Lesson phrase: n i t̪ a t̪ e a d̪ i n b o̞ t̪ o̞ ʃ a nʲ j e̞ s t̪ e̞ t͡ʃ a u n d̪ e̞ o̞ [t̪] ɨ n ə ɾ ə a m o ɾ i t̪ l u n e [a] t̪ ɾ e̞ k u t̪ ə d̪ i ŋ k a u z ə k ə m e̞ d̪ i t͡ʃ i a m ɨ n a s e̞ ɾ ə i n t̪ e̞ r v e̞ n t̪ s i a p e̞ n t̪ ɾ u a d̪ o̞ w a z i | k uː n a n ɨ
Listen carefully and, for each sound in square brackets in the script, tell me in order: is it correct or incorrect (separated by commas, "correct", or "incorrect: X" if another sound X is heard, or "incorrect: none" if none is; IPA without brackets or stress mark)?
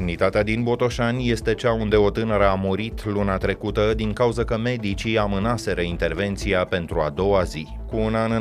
correct, correct